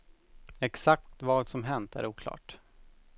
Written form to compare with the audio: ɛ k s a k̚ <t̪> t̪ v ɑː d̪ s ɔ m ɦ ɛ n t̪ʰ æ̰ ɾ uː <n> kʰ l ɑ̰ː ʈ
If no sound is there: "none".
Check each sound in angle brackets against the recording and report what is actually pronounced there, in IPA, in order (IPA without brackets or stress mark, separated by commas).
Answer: t̪, none